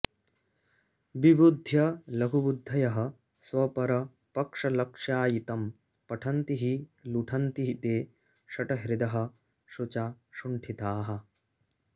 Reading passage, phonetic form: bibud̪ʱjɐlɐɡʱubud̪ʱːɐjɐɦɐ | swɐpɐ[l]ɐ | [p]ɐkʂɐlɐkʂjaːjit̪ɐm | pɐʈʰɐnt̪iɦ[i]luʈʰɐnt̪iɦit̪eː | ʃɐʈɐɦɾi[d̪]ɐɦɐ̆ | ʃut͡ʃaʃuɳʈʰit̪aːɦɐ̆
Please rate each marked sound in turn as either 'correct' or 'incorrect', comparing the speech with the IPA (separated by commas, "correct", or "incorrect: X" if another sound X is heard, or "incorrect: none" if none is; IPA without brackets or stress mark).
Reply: incorrect: ɾ, correct, correct, correct